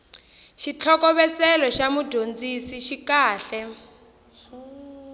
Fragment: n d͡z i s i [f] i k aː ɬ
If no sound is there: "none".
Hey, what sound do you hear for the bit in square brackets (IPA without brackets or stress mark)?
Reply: ʃ